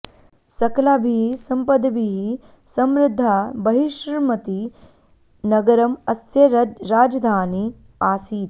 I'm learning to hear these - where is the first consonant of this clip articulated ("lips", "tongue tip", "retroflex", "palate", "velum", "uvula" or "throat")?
tongue tip